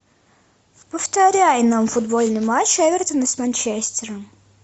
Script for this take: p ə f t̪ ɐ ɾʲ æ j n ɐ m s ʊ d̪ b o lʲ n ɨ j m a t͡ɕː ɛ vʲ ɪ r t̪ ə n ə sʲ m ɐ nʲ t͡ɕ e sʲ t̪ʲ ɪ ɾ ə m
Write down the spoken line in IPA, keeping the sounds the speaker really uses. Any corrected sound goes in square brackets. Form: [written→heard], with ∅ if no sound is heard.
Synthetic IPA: p ə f t̪ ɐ ɾʲ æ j n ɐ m [s→f] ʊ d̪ b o lʲ n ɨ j m a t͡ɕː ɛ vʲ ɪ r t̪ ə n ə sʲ m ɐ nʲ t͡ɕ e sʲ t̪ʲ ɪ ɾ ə m